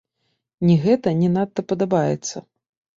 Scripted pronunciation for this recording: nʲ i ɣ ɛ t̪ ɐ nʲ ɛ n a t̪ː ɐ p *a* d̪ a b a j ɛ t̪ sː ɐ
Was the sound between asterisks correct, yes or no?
no